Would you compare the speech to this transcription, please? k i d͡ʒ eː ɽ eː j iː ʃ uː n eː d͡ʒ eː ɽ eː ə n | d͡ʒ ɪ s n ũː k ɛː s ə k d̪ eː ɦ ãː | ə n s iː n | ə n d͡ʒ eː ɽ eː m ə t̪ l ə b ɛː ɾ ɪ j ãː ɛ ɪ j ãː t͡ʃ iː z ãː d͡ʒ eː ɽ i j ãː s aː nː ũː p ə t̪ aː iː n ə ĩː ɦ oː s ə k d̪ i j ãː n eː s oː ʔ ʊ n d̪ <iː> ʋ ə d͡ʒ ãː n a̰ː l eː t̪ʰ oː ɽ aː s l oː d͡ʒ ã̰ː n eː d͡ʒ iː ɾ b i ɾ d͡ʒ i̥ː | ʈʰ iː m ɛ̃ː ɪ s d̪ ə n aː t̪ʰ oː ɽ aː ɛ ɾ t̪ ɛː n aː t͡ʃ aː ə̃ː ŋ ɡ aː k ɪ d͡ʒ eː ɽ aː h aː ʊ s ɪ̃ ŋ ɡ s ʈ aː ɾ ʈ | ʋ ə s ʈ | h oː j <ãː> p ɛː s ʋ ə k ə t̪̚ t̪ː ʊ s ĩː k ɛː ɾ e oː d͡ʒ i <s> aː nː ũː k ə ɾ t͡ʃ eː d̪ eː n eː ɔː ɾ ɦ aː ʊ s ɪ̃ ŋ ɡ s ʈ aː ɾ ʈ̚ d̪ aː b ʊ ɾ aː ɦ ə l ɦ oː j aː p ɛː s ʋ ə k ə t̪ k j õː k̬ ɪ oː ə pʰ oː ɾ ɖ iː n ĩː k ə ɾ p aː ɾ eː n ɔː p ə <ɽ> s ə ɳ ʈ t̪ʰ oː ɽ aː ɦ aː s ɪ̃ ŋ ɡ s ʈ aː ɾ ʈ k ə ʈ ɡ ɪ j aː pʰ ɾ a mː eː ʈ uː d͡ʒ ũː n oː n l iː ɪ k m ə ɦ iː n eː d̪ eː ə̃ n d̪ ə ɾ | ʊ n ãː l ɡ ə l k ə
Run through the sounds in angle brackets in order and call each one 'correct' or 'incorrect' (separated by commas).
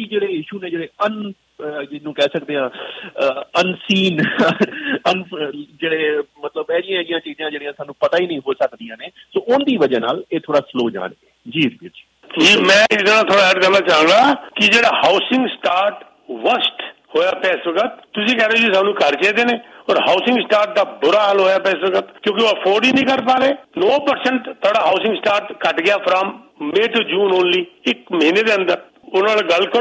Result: correct, incorrect, correct, incorrect